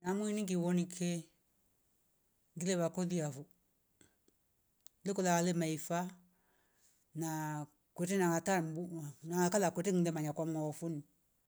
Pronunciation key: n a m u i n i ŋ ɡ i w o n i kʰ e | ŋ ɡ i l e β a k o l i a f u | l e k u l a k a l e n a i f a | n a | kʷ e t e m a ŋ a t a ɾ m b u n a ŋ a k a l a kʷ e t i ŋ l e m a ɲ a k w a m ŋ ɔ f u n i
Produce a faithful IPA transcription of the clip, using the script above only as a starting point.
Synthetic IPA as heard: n a m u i n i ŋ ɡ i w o n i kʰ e | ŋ ɡ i l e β a k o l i a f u | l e k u l a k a l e m a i f a | n a | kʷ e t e n a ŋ a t a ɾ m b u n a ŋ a k a l a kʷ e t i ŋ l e m a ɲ a k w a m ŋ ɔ f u n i